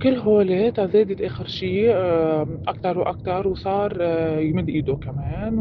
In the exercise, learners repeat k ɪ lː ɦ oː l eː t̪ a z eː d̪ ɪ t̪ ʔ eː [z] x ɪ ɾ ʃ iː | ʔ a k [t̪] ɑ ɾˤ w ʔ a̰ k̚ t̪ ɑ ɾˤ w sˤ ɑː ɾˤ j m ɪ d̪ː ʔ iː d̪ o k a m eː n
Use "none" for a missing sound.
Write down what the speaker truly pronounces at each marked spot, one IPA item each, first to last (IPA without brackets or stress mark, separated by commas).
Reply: none, t̪